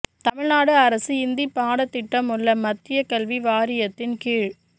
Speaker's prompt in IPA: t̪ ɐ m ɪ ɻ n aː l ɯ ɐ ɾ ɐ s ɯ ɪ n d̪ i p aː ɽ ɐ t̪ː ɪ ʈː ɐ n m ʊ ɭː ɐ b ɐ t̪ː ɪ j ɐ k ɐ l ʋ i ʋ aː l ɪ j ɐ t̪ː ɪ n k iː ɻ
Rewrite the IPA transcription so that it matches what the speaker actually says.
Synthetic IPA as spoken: t̪ ɐ m ɪ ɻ n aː ɽ ɯ ɐ ɾ ɐ s ɯ ɪ n d̪ i p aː ɽ ɐ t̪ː ɪ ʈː ɐ m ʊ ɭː ɐ m ɐ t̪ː ɪ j ɐ k ɐ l ʋ i ʋ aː ɾ ɪ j ɐ t̪ː ɪ n k iː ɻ